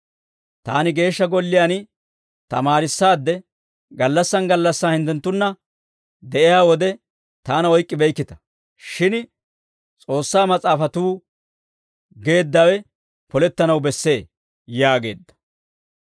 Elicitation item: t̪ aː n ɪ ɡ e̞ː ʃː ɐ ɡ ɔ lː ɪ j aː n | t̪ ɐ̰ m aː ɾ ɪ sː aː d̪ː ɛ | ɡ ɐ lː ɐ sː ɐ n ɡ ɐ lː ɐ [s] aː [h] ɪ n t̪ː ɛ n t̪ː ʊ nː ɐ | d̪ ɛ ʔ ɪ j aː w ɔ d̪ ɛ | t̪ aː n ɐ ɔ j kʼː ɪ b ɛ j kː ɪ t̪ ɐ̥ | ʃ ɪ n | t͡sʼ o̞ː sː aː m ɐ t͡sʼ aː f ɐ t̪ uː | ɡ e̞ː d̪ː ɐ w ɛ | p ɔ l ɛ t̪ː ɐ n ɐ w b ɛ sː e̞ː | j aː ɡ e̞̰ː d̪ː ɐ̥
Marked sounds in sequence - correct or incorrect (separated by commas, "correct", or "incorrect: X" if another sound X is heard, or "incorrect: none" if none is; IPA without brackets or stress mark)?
incorrect: sː, correct